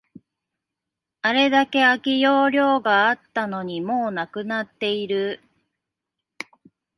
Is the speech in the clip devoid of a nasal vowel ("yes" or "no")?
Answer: yes